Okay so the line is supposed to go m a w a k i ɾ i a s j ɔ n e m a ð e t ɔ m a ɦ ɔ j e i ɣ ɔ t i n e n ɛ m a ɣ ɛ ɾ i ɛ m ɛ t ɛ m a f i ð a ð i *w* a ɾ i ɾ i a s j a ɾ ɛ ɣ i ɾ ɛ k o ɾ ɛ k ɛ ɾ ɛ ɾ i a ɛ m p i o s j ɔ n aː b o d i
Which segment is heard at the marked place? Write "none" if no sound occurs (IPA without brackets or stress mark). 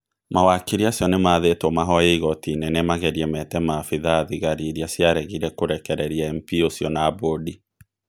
ɣ